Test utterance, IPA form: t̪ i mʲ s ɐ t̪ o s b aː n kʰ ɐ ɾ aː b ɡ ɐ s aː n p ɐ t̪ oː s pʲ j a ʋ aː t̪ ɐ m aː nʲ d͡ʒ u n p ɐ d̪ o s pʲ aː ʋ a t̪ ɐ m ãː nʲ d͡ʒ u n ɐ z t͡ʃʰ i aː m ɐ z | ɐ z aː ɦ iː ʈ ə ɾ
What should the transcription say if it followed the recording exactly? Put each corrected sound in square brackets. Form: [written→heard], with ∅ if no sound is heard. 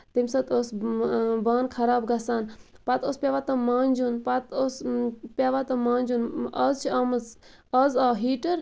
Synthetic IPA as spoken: t̪ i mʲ s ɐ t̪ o s b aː n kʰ ɐ ɾ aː b ɡ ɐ s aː n p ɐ t̪ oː s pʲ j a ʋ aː t̪ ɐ m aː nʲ d͡ʒ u n p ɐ [d̪→t̪] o s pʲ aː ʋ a t̪ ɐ m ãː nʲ d͡ʒ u n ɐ z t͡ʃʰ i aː m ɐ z | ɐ z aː ɦ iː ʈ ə ɾ